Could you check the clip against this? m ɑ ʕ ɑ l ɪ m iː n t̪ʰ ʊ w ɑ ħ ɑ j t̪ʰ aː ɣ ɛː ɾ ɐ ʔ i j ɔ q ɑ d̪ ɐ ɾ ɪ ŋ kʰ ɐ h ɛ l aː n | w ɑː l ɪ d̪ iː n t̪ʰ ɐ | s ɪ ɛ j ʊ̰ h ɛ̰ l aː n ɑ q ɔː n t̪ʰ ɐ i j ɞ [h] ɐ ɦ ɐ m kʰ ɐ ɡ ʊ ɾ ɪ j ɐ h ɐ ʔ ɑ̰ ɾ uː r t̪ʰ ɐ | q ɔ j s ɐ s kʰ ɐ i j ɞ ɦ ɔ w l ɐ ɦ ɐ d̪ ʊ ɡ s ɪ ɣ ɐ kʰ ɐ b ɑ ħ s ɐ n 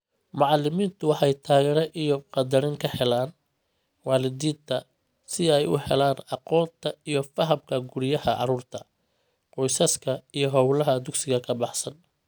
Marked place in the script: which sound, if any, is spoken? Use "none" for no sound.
f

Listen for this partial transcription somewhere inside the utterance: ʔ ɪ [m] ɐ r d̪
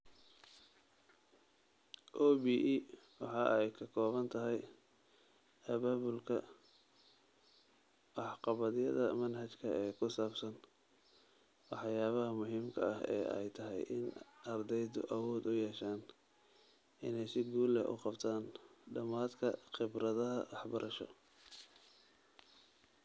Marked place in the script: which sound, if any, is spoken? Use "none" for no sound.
n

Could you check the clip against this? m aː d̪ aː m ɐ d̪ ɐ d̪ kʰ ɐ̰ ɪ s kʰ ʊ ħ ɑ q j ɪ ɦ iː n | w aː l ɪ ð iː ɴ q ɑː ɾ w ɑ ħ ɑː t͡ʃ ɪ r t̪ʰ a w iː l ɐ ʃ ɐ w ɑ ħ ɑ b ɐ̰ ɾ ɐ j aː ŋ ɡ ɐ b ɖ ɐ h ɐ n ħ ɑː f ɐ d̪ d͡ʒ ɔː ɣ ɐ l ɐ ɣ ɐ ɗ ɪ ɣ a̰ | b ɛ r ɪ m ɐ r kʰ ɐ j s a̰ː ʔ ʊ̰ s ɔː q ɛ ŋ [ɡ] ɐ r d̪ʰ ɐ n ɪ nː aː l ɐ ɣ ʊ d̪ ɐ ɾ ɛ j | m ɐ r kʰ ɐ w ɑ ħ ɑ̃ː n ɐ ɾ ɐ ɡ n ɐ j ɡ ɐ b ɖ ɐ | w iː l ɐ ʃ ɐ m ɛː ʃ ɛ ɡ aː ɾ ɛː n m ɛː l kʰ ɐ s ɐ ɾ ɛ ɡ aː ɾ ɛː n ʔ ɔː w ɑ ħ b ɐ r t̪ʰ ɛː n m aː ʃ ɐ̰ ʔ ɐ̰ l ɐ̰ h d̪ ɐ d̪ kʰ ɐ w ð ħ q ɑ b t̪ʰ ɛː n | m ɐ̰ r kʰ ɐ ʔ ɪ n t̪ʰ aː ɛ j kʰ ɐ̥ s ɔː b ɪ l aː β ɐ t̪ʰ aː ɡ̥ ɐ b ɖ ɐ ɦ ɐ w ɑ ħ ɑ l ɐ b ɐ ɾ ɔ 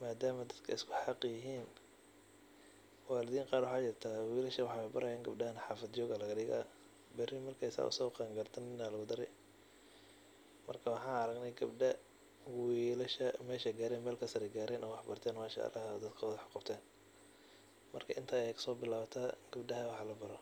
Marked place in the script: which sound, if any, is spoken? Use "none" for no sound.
ɡ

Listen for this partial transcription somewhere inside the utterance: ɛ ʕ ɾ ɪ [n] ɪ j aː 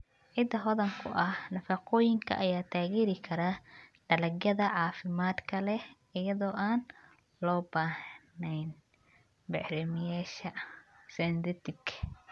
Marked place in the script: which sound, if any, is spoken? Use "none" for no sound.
m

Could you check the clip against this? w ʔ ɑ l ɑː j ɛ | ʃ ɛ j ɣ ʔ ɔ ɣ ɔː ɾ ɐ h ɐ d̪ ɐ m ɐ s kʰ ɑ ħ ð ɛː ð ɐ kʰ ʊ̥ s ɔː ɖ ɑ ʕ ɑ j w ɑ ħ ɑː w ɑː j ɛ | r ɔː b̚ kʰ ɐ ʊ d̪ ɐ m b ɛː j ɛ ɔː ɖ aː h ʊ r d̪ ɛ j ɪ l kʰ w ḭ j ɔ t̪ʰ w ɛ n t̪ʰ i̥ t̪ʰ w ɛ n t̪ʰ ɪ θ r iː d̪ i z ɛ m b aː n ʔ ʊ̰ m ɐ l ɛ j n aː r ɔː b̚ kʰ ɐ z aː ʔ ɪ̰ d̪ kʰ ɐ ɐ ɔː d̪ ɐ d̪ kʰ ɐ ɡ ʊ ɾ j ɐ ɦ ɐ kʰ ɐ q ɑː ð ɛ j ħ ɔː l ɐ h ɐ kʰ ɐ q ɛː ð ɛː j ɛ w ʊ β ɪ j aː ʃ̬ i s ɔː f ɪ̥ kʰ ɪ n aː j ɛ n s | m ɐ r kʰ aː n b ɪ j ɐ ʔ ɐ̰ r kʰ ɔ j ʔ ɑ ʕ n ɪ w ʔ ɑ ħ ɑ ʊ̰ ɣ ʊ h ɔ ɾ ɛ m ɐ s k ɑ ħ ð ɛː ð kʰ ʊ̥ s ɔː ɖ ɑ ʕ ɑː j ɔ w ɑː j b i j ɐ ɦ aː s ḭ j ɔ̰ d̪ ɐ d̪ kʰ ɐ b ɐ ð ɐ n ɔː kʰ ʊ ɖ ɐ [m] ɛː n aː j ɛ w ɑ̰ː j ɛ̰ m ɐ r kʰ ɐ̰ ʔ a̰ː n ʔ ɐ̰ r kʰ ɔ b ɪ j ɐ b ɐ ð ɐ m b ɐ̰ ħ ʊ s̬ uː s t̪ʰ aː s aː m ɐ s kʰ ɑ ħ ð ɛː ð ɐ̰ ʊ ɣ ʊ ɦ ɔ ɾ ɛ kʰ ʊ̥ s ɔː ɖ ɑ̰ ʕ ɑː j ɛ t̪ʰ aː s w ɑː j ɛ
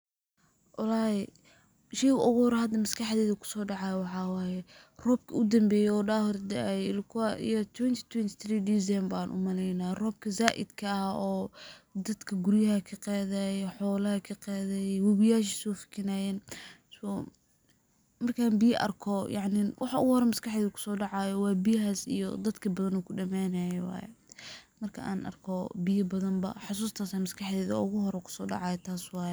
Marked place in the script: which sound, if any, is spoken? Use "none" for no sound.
m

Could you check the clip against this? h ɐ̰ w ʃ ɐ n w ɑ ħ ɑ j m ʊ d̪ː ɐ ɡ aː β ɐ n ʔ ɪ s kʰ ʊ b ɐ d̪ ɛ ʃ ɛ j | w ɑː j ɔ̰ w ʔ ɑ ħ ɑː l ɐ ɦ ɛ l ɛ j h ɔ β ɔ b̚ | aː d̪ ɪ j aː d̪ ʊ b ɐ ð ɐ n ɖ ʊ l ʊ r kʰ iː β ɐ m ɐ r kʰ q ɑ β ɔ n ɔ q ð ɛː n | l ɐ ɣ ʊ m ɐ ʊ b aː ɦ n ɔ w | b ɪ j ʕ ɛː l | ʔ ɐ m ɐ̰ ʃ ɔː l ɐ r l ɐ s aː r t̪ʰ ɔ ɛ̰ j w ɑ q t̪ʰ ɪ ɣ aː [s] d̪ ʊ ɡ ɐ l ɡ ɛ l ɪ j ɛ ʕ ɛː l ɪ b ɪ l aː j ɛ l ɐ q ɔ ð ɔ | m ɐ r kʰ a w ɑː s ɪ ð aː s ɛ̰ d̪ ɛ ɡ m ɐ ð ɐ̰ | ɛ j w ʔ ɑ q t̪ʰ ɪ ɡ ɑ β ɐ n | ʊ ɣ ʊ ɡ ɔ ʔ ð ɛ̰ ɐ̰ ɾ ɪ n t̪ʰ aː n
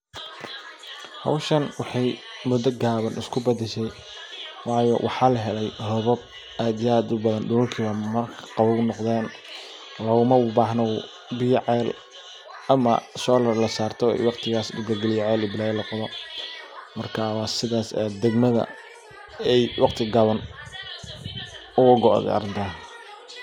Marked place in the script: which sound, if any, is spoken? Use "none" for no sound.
s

